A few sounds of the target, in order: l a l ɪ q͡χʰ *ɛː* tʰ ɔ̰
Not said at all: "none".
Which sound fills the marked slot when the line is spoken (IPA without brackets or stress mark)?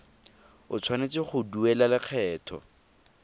ɛː